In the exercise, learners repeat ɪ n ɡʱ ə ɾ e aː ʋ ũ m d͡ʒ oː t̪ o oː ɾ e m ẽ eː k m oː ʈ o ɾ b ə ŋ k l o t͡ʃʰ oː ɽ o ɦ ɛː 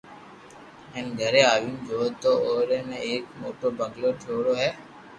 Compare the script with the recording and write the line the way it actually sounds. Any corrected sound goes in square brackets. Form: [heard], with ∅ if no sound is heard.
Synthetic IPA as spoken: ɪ n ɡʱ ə ɾ e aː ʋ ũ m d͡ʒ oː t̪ o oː ɾ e m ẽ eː k m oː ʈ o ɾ b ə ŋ [ɡ] l o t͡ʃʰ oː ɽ o ɦ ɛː